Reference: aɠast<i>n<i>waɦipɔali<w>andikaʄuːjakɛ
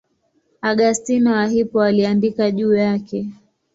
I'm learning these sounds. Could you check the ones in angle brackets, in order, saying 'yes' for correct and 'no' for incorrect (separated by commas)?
yes, no, no